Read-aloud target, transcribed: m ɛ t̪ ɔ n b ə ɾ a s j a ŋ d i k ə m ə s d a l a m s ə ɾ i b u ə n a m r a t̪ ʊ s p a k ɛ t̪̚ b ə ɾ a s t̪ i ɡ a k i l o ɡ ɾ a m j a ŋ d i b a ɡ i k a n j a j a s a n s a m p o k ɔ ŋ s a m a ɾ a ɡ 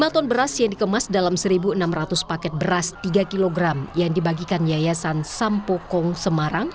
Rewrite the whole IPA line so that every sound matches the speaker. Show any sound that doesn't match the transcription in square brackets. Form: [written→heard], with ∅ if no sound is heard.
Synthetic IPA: m [ɛ→a] t̪ ɔ n b ə ɾ a s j a ŋ d i k ə m [ə→a] s d a l a m s ə ɾ i b u ə n a m r a t̪ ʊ s p a k ɛ t̪̚ b ə ɾ a s t̪ i ɡ a k i l o ɡ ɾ a m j a ŋ d i b a ɡ i k a n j a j a s a n s a m p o k ɔ ŋ s [a→ə] m a ɾ a [ɡ→ŋ]